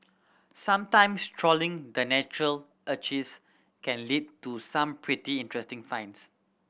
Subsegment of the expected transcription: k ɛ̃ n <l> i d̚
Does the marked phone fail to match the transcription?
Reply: no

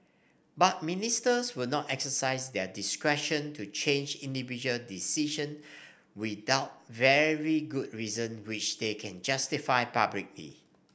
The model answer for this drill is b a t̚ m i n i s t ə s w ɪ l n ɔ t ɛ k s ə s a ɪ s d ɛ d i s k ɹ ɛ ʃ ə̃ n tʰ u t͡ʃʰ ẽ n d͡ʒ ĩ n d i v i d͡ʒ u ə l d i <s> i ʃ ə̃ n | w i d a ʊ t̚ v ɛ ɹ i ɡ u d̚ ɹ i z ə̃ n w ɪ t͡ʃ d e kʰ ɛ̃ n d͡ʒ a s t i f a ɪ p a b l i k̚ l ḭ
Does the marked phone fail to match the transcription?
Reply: no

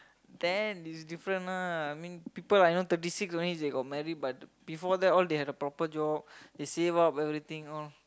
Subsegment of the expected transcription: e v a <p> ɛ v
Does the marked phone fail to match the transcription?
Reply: no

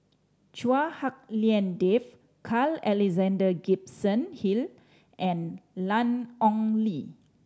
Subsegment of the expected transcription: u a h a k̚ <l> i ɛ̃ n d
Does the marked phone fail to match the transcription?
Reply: no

